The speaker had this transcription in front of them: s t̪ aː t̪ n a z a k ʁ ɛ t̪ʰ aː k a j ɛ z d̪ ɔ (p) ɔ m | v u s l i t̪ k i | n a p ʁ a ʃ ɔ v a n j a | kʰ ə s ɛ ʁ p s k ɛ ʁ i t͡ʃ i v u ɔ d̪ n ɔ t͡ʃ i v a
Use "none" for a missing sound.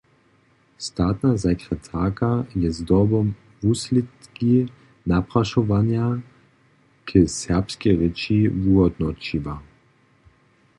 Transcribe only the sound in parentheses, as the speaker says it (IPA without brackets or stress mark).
b